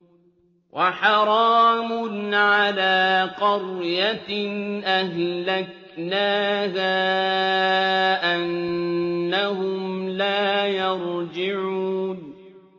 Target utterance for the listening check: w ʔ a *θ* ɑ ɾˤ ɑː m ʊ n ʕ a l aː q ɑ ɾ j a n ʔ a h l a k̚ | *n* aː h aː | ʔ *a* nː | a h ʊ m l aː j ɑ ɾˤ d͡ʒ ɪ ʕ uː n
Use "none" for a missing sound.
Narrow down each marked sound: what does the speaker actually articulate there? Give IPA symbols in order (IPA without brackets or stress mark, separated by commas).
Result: ħ, n, a